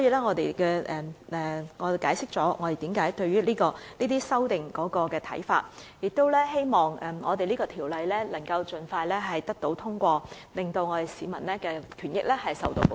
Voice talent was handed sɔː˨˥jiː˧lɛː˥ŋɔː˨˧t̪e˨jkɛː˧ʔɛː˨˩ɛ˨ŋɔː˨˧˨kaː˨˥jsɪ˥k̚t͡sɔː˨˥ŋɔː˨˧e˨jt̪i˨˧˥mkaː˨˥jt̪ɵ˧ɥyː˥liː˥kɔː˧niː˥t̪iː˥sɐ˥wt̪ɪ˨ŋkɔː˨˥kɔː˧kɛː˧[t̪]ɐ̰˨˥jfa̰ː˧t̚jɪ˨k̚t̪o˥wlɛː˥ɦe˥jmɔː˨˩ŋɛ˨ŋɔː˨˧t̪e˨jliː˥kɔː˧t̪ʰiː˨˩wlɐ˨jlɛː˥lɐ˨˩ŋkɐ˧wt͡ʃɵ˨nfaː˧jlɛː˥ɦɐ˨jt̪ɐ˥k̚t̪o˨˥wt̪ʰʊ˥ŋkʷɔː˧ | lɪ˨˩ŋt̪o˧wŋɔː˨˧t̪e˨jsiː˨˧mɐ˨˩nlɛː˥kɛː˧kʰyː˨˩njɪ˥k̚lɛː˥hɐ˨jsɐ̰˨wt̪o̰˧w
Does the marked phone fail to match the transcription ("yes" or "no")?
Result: yes